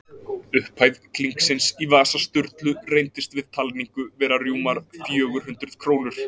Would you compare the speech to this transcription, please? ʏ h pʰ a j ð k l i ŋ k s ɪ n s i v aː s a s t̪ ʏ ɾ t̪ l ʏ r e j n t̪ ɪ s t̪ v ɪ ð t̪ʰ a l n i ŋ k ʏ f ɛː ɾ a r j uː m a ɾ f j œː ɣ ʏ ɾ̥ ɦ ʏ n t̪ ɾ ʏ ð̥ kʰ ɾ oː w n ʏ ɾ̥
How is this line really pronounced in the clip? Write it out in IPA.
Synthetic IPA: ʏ h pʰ a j ð k l i ŋ k s ɪ n s i v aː s a s t̪ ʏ ɾ t̪ l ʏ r e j n t̪ ɪ s t̪ v ɪ ð t̪ʰ a l n i ŋ k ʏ v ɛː ɾ a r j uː m a ɾ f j œː ɣ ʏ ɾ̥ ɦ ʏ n t̪ ɾ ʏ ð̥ kʰ ɾ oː w n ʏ ɾ̥